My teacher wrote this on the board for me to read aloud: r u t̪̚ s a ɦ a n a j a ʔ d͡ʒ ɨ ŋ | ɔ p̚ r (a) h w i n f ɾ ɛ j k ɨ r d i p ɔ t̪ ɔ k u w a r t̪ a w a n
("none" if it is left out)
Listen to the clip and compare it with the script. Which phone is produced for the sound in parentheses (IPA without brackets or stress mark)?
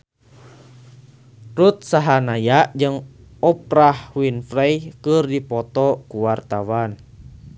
a